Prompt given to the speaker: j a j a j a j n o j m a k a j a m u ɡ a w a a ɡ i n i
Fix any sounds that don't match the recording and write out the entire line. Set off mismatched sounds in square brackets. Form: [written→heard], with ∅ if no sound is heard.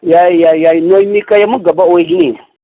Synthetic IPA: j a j a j a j n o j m [a→i] k a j a m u ɡ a [w→b] a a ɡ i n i